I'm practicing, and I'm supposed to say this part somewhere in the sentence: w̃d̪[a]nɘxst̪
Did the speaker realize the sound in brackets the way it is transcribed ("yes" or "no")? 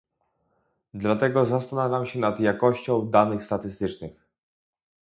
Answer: yes